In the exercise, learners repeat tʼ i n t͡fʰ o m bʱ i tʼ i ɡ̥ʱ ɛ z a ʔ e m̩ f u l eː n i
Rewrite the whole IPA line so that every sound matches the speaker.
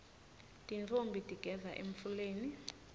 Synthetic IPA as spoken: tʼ i n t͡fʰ o m bʱ i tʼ i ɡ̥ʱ ɛ z a ʔ e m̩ f u l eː n i